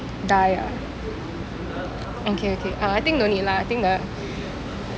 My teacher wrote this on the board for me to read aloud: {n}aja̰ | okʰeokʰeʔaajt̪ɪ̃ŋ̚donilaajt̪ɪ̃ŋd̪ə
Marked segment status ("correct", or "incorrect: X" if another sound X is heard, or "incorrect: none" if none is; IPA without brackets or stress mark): incorrect: d